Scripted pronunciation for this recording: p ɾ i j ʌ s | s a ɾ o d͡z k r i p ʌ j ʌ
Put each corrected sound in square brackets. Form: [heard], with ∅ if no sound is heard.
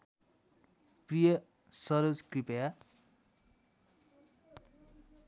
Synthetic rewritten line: p [r] i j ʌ [∅] | s [ʌ] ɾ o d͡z k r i p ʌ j [a]

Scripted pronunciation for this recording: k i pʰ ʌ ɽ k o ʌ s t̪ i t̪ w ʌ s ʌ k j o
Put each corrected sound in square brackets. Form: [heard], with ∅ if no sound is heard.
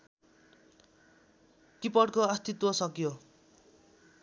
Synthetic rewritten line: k i [p] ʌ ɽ k o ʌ s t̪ i t̪ w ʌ s ʌ k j o

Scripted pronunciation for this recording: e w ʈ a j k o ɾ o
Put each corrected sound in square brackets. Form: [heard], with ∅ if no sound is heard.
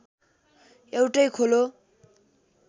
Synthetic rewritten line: e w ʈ [ʌ] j [kʰ] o [l] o

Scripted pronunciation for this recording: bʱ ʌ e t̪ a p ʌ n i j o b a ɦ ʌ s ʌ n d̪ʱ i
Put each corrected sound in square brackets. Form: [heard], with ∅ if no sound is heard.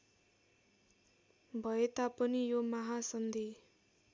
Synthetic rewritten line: bʱ ʌ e t̪ a p ʌ n i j o [m] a ɦ [a] s ʌ n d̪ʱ i

